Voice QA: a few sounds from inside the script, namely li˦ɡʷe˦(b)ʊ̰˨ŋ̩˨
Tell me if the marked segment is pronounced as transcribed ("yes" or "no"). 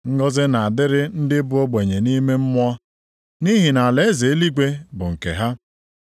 yes